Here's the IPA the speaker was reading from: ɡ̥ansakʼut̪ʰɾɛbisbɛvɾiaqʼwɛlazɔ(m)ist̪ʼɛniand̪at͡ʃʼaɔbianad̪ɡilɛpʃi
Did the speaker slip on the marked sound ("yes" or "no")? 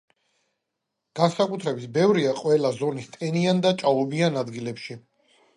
yes